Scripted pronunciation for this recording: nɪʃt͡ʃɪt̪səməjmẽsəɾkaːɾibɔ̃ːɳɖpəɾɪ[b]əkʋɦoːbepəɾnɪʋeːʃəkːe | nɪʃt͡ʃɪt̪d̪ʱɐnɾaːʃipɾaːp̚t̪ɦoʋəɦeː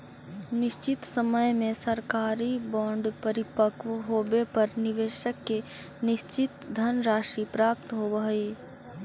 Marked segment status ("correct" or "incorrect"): incorrect